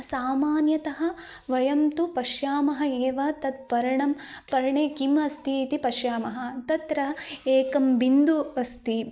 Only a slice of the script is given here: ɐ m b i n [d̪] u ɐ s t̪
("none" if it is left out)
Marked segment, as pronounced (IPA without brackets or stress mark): d̪